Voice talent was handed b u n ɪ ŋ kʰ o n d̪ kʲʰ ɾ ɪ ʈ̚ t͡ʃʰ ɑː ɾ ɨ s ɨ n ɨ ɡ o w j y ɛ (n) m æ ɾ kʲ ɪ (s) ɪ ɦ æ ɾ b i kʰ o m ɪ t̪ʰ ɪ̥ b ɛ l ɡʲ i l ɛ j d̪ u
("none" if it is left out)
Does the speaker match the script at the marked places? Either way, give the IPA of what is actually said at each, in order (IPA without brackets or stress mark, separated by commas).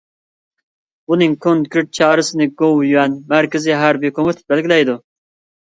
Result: n, z